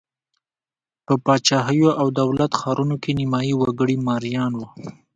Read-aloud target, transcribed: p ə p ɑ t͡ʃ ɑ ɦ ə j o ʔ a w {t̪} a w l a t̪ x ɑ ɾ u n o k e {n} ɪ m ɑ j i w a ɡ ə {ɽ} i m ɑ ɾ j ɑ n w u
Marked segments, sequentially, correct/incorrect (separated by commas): incorrect, correct, correct